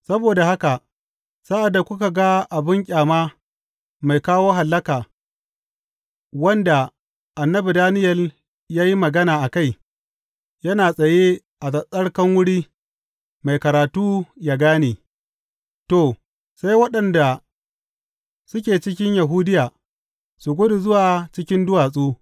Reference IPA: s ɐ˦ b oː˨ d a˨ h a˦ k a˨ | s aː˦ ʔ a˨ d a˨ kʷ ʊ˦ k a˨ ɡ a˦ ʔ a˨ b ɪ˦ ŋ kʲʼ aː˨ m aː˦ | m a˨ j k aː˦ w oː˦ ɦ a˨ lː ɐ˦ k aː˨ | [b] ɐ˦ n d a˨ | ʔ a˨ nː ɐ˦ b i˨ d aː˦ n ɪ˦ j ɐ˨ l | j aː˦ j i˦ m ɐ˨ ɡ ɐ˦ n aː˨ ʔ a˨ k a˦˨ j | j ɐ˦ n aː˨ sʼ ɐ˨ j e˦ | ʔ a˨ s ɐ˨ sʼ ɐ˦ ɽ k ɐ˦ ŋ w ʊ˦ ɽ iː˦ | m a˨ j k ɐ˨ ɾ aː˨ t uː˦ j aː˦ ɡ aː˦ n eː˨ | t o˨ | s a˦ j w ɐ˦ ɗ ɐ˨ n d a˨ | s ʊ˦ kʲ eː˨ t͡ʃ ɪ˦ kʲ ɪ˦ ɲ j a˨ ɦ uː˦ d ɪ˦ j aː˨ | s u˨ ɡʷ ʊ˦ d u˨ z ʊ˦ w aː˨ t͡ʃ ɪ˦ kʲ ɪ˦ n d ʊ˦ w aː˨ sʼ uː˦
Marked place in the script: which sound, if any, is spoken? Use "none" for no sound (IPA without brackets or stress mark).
w